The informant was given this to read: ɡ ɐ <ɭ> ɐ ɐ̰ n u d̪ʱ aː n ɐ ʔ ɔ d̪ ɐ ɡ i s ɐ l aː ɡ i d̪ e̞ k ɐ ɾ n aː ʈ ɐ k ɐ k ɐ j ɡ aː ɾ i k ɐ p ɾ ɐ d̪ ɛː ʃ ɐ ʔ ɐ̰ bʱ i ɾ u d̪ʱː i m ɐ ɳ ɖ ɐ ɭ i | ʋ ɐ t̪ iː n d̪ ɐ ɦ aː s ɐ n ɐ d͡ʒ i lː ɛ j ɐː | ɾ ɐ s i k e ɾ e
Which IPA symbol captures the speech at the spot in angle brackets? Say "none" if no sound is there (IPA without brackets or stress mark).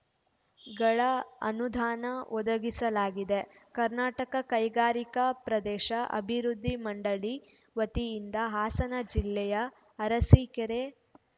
ɭ